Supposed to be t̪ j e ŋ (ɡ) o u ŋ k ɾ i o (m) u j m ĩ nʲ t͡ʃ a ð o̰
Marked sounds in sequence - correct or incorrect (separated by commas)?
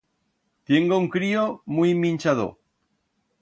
correct, correct